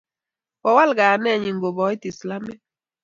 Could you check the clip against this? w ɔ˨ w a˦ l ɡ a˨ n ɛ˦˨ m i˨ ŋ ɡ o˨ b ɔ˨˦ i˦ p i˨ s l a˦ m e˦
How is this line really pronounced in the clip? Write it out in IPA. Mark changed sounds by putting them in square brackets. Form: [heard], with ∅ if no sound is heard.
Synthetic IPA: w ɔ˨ w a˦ l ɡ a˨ n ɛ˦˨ [ɲ] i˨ ŋ ɡ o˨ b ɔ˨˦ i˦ [t] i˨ s l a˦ m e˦